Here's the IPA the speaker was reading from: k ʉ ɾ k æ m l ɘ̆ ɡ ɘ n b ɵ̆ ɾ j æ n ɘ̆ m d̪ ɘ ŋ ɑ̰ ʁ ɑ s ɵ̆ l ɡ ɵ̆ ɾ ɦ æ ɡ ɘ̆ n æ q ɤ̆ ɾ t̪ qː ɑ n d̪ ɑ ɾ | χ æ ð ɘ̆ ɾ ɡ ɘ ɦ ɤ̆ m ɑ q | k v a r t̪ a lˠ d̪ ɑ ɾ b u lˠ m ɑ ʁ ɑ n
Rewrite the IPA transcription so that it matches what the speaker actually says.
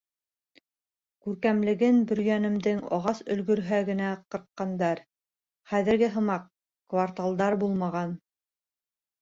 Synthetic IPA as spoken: k ʉ ɾ k æ m l ɘ̆ ɡ ɘ n b ɵ̆ ɾ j æ n ɘ̆ m d̪ ɘ ŋ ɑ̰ ʁ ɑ s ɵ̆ l ɡ ɵ̆ ɾ ɦ æ ɡ ɘ̆ n æ q ɤ̆ ɾ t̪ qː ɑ n d̪ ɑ ɾ | χ æ ð ɘ̆ ɾ ɡ ɘ ɦ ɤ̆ m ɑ q | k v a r t̪ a lˠ d̪ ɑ ɾ b u lˠ m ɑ ʁ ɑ n